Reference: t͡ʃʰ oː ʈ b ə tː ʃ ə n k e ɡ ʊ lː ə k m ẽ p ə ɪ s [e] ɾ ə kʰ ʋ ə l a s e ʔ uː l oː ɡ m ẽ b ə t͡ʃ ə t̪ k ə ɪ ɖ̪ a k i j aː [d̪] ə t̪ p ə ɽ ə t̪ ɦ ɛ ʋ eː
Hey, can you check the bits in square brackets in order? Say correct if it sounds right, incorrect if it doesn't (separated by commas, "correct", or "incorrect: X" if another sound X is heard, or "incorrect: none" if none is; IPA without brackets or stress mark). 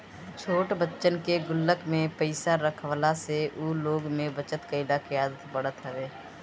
incorrect: a, correct